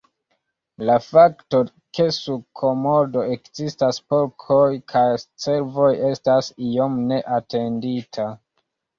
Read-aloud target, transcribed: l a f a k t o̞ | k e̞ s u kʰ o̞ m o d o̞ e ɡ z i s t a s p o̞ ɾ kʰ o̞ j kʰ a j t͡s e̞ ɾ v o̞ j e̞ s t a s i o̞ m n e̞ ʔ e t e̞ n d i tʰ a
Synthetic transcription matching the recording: l a f a k t o̞ | k e̞ s u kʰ o̞ m o d o̞ e k z i s t a s p o̞ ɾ kʰ o̞ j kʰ a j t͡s e̞ ɾ v o̞ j e̞ s t a s i o̞ m n e̞ ʔ a t e̞ n d i tʰ a